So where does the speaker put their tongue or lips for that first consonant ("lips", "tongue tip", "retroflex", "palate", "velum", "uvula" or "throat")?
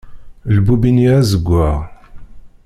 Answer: tongue tip